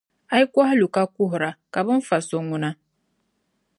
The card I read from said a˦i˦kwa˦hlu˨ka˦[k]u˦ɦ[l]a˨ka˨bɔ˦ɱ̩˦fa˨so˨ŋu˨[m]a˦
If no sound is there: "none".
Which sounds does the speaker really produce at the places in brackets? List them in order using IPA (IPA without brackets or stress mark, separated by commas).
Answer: k, ɾ, n